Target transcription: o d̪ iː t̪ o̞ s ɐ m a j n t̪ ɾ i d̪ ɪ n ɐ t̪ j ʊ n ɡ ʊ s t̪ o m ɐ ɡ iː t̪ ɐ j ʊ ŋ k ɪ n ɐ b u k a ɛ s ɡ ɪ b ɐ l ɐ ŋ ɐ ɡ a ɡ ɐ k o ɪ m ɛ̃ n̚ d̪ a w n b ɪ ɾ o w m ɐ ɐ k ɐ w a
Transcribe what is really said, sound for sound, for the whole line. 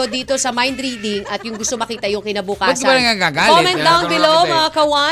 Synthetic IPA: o d̪ iː t̪ o̞ s ɐ m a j n d̪ ɾ i d̪ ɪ ŋ ɐ t̪ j ʊ ŋ ɡ ʊ s t̪ o m ɐ k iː t̪ ɐ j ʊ ŋ k ɪ n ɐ b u k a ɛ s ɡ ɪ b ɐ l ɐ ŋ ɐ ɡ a ɡ a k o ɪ m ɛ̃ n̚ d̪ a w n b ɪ l o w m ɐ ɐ k ɐ w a